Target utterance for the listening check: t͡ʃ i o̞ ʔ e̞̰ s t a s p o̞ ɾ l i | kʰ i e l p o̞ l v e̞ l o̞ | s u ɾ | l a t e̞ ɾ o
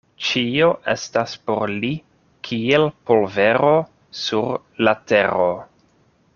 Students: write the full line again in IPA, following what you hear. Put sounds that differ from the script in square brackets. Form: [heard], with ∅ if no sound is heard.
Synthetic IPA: t͡ʃ i o̞ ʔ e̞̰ s t a s p o̞ ɾ l i | kʰ i e l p o̞ l v e̞ [ɾ] o̞ | s u ɾ | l a t e̞ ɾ o

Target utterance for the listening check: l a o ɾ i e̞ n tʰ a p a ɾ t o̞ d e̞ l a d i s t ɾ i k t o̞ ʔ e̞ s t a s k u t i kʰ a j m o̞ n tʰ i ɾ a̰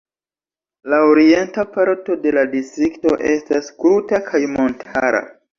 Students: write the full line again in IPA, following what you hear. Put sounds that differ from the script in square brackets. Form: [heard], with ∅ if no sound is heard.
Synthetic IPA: l a o ɾ i e̞ n [t] a p a ɾ t o̞ d e̞ l a d i s t ɾ i k t o̞ ʔ e̞ s t a s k u t [a] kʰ a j m o̞ n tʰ [a] ɾ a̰

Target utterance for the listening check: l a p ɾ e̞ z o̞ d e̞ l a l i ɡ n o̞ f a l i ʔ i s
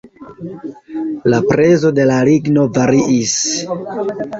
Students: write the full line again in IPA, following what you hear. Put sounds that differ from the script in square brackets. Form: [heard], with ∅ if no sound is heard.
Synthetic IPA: l a p ɾ e̞ z o̞ d e̞ l a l i ɡ n o̞ [v] a [ɾ] i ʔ i s

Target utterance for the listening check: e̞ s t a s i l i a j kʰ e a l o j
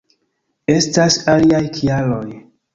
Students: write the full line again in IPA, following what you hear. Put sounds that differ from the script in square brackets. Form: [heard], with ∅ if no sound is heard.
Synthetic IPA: e̞ s t a s [a] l i a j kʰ [i] a l o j

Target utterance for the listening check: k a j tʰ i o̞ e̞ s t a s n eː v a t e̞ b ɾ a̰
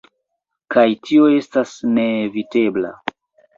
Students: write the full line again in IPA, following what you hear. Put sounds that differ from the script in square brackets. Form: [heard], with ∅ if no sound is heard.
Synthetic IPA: k a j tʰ i o̞ e̞ s t a s n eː v [i] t e̞ b [l] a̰

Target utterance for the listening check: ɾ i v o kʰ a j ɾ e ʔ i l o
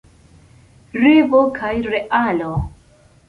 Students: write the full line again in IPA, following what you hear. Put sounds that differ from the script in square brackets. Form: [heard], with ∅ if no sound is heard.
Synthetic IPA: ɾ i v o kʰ a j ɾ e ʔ [a] l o

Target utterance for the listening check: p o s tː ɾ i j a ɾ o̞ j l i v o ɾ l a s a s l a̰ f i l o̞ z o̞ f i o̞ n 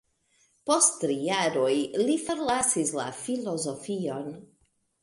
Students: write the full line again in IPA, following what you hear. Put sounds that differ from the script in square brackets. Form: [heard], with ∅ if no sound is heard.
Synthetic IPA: p o s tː ɾ i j a ɾ o̞ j l i [f] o ɾ l a s [i] s l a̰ f i l o̞ z o̞ f i o̞ n

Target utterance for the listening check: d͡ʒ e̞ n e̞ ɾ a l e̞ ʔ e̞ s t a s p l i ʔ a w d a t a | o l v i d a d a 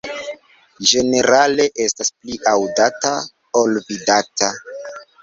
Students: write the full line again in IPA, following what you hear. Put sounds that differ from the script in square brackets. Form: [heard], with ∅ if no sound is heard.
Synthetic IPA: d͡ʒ e̞ n e̞ ɾ a l e̞ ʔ e̞ s t a s p l i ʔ a w d a t a | o l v i d a [t] a

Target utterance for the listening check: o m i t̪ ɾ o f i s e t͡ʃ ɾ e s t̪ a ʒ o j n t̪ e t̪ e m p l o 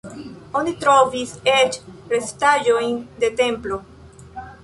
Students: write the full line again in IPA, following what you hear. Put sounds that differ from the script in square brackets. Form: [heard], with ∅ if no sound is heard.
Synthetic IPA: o [n] i t̪ ɾ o [v] i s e t͡ʃ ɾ e s t̪ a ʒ o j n [d̪] e t̪ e m p l o

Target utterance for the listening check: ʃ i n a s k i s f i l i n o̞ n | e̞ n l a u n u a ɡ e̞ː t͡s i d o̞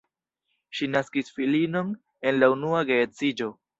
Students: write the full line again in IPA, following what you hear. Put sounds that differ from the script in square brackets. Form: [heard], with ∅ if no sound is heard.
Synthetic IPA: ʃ i n a s k i s f i l i n o̞ n | e̞ n l a u n u a ɡ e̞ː t͡s i [d͡ʒ] o̞

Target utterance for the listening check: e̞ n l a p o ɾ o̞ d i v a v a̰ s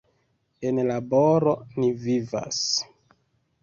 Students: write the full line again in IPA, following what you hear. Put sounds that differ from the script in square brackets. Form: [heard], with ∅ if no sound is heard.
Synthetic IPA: e̞ n l a [b] o ɾ o̞ [n] i v [i] v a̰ s

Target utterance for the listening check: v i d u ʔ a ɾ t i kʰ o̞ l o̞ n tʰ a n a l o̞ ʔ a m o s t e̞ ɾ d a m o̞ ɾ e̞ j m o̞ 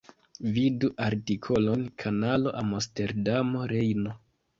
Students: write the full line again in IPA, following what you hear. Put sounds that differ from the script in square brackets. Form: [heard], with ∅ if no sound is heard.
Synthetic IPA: v i d u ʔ a ɾ t i kʰ o̞ l o̞ n [kʰ] a n a l o̞ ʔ a m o s t e̞ ɾ d a m o̞ ɾ e̞ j [n] o̞

